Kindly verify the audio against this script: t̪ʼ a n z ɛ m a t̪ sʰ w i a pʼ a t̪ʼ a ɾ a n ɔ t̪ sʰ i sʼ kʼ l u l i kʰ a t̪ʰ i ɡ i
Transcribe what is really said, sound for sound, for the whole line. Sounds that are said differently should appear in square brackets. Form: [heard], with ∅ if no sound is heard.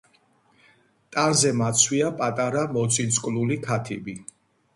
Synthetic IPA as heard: t̪ʼ a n z ɛ m a t̪ sʰ w i a pʼ a t̪ʼ a ɾ a [m] ɔ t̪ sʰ i sʼ kʼ l u l i kʰ a t̪ʰ i [b] i